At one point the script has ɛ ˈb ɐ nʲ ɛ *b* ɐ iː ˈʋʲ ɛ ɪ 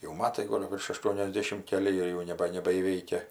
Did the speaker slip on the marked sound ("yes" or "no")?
no